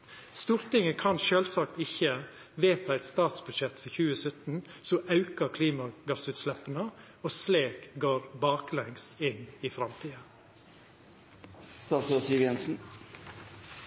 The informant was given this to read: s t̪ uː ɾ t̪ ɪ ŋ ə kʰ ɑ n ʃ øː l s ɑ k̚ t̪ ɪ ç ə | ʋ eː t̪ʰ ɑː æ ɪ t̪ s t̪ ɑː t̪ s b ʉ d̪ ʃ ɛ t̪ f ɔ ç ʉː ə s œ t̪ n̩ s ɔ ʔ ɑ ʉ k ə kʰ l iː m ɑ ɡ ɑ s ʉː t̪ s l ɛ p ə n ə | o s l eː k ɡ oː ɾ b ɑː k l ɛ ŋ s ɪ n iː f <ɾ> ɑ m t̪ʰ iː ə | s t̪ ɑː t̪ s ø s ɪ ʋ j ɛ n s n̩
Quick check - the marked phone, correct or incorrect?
correct